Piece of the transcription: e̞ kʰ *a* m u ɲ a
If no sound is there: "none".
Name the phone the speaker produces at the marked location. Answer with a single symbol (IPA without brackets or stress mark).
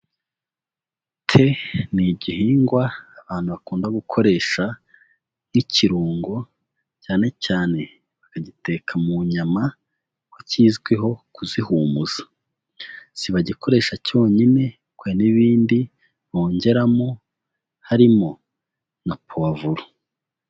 a